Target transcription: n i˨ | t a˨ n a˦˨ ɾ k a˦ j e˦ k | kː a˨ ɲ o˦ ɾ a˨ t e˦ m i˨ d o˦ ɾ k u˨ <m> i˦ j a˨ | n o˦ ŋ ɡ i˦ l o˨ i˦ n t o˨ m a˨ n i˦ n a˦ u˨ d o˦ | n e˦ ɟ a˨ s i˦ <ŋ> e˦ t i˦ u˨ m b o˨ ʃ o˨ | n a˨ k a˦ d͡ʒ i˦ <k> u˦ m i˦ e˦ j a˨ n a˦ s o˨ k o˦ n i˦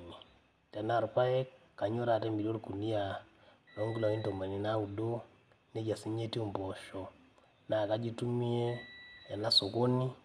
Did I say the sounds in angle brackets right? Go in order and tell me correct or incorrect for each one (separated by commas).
incorrect, incorrect, incorrect